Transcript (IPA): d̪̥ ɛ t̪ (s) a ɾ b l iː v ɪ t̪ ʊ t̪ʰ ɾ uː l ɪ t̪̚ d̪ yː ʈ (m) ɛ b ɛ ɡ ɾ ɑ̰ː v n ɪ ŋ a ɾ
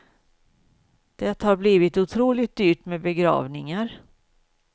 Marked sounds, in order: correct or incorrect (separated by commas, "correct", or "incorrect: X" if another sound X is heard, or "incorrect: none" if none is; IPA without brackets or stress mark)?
incorrect: h, correct